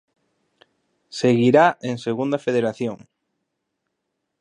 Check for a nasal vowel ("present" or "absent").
absent